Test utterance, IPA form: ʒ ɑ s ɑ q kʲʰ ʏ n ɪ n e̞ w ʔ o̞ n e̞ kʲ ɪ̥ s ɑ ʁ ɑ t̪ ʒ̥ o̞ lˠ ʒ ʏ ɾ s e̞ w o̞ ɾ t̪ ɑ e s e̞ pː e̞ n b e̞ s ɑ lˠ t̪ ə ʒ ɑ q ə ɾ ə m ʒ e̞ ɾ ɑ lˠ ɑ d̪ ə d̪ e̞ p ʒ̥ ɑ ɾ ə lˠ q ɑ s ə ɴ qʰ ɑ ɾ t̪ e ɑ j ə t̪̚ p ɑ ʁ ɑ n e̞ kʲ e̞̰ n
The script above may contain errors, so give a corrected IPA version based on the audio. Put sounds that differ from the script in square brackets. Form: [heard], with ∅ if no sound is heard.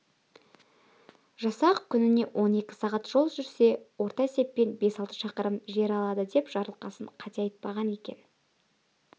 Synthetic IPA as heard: ʒ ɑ s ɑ q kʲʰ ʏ n ɪ n e̞ w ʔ o̞ n e̞ kʲ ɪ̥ s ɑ ʁ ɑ t̪ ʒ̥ o̞ lˠ ʒ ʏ ɾ s e̞ w o̞ ɾ t̪ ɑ e s e̞ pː e̞ n b e̞ s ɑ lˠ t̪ ə [ʃ] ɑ q ə ɾ ə m ʒ e̞ ɾ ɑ lˠ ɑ d̪ ə d̪ e̞ p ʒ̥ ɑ ɾ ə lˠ q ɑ s ə ɴ qʰ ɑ [∅] t̪ e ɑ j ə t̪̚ p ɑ ʁ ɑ n e̞ kʲ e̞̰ n